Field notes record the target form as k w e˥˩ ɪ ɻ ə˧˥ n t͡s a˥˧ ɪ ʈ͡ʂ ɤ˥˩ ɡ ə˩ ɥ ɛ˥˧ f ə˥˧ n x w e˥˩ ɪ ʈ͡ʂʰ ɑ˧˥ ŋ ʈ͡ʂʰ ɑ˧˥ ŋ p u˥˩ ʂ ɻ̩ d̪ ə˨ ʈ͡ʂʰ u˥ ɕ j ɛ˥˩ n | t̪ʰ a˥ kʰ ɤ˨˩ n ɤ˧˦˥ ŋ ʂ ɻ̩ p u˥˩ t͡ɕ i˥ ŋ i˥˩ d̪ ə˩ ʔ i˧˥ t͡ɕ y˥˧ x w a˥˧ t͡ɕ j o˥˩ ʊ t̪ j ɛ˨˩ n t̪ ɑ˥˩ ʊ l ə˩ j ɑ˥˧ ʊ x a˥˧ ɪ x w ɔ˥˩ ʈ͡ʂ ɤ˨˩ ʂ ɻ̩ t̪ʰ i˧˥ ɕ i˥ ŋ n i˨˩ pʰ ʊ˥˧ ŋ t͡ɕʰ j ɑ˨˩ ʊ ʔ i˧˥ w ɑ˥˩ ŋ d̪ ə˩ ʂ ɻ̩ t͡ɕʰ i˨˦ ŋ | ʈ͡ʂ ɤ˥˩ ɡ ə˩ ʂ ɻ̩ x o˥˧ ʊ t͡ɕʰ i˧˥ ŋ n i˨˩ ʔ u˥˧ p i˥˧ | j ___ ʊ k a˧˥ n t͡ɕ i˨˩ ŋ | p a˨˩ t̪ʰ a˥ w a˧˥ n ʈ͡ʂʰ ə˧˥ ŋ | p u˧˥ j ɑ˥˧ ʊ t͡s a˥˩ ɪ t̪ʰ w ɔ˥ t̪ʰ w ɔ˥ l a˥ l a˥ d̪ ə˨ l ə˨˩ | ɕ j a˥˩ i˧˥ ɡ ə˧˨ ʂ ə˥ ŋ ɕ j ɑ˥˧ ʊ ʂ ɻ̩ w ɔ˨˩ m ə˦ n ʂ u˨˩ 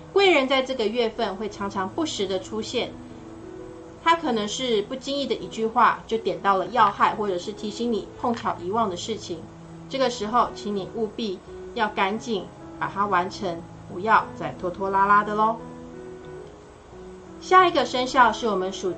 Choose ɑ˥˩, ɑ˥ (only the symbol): ɑ˥˩